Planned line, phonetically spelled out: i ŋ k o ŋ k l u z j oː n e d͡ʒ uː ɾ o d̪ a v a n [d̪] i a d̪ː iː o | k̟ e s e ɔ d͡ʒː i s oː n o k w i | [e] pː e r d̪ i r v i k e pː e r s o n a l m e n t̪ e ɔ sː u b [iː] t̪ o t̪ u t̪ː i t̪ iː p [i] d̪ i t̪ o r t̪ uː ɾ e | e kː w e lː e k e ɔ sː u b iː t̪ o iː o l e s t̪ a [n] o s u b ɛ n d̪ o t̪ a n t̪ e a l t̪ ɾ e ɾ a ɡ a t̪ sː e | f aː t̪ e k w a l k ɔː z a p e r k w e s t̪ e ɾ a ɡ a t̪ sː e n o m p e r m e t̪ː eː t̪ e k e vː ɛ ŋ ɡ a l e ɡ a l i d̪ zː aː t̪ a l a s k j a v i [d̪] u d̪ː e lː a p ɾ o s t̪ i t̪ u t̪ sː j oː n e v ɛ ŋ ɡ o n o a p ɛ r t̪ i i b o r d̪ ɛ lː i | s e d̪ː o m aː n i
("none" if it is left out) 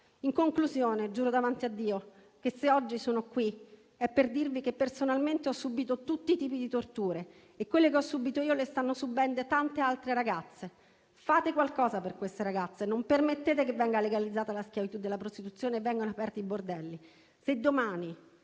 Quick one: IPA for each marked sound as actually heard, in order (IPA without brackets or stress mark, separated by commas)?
t̪, ɛ, iː, i, nː, t̪